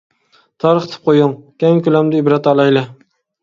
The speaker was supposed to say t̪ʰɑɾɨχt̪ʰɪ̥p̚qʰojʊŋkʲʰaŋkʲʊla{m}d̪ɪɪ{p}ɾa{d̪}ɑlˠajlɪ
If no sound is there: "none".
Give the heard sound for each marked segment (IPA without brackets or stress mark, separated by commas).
m, b, t̪